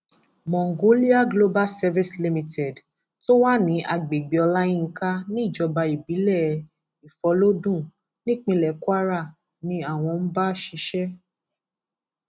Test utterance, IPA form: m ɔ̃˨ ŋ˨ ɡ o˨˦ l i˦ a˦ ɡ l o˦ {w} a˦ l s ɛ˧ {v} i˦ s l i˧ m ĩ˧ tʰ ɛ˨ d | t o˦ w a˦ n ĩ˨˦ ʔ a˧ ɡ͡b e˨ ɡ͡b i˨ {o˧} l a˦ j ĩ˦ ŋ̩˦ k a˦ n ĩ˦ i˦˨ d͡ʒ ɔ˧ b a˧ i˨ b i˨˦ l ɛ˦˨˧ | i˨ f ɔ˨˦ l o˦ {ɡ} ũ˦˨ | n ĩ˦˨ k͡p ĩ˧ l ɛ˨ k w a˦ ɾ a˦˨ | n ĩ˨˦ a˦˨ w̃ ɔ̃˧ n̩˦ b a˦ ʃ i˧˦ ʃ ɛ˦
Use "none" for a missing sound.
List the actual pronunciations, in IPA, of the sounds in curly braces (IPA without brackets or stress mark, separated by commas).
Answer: b, v, ɔ˧, d